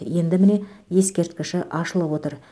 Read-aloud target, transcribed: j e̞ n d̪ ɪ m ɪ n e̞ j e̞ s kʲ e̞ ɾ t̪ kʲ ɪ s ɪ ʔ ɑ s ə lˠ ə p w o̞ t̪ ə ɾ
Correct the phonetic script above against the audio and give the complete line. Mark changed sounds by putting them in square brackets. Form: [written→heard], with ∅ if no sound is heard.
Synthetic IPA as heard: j e̞ n d̪ ɪ m ɪ n e̞ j e̞ s kʲ e̞ ɾ t̪ kʲ ɪ [s→ʃ] ɪ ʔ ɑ [s→ʃ] ə lˠ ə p w o̞ t̪ ə ɾ